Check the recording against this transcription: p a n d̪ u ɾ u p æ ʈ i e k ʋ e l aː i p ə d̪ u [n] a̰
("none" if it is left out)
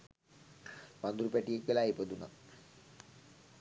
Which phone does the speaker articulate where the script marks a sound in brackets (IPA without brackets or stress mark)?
n